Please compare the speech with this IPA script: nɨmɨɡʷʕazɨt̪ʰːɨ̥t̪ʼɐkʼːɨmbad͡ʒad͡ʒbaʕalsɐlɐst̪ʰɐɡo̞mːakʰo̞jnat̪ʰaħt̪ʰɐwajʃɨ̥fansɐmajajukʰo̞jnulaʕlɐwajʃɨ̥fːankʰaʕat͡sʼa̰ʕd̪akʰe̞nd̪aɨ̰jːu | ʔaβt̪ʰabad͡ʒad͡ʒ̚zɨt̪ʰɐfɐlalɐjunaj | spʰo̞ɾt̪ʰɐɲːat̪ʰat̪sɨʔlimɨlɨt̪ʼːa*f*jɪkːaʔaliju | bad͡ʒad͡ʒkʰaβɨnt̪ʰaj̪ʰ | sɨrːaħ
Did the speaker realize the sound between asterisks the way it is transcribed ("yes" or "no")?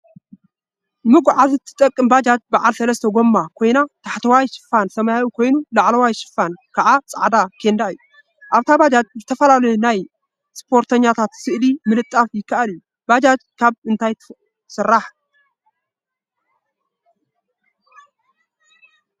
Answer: yes